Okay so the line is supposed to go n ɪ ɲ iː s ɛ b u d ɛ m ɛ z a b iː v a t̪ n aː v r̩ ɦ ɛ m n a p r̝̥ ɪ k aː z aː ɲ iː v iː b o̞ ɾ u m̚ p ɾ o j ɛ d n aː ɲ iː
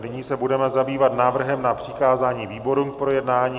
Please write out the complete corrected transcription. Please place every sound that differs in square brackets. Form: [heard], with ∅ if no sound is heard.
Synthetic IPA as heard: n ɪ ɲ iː s ɛ b u d ɛ m ɛ z a b iː v a t̪ n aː v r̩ ɦ ɛ m n a p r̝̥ ɪ k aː z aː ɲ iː v iː b o̞ ɾ u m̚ p ɾ o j ɛ d n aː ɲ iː